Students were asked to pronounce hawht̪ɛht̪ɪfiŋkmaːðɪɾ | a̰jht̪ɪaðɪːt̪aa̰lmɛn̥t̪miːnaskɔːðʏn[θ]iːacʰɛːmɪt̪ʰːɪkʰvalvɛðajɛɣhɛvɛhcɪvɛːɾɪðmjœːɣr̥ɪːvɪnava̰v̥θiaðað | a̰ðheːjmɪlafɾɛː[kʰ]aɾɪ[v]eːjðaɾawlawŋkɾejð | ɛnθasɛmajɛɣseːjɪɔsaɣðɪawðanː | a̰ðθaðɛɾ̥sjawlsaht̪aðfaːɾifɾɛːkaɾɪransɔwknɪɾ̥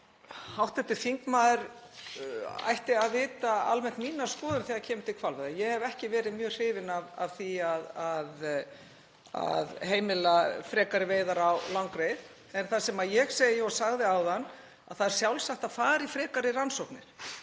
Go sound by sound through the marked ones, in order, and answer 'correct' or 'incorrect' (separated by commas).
correct, incorrect, correct